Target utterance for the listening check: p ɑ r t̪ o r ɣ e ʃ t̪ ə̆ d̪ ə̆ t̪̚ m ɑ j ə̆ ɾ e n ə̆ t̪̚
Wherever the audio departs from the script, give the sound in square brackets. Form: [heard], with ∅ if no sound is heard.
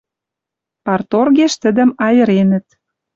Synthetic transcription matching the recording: p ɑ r t̪ o r ɣ e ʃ t̪ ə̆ d̪ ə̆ [∅] m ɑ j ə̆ ɾ e n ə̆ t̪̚